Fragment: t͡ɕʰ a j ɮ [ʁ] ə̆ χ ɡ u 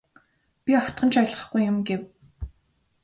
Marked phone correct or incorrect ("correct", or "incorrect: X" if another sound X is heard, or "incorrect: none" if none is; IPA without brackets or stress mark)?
correct